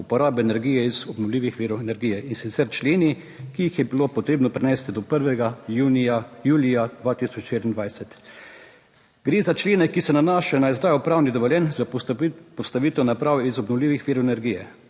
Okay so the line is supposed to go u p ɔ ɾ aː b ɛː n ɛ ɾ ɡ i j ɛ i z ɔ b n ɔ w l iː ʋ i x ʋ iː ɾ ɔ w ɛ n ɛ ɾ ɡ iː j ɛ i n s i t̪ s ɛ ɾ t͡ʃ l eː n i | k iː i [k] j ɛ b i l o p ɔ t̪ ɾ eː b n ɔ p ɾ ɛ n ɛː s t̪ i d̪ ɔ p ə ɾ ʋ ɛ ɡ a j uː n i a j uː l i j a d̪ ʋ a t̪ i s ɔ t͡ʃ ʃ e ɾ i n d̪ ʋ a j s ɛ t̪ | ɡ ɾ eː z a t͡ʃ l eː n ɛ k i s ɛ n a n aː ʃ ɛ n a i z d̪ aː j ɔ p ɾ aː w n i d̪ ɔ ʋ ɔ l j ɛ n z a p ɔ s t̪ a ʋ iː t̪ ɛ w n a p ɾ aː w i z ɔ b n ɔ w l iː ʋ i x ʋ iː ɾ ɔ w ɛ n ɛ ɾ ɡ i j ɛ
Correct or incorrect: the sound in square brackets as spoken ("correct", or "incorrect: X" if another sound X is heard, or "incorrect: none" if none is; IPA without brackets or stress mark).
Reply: incorrect: x